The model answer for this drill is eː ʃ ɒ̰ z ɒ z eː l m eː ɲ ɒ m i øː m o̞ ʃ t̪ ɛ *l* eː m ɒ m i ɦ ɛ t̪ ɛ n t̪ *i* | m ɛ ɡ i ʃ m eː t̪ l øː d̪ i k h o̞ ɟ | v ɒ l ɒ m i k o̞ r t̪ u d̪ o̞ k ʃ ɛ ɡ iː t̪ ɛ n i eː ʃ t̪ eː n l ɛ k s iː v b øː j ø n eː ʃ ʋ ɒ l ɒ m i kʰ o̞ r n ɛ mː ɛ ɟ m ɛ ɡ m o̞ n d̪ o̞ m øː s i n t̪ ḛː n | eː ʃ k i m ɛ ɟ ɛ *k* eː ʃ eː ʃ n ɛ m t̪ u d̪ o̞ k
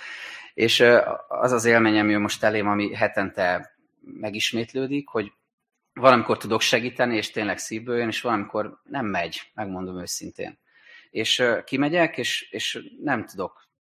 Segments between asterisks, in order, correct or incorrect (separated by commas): correct, incorrect, correct